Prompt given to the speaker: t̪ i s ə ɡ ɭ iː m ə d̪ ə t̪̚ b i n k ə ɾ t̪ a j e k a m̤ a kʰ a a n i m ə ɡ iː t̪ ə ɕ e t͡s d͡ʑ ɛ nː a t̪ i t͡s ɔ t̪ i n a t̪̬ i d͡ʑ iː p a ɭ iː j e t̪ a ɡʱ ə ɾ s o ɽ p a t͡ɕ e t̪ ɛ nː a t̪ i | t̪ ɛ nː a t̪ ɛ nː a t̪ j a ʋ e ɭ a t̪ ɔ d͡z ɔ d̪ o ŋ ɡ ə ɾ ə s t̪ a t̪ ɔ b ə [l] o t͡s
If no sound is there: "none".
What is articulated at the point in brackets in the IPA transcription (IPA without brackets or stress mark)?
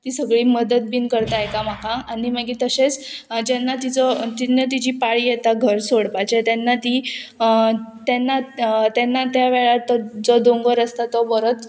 ɾ